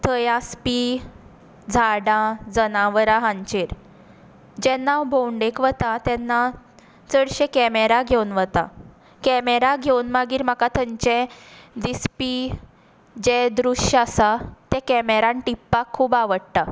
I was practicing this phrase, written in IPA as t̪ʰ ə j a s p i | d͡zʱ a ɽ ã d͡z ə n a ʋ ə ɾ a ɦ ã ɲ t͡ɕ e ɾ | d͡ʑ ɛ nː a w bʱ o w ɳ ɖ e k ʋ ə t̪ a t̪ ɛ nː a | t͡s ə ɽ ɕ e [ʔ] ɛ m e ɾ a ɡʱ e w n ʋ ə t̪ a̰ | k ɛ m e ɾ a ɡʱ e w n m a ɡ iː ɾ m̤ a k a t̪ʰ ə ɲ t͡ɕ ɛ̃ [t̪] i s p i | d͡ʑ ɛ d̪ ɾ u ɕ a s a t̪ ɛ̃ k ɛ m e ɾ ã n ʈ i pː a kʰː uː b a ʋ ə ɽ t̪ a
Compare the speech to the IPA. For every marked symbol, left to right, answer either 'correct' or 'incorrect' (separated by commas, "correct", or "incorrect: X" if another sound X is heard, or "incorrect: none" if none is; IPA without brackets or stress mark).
incorrect: k, incorrect: d̪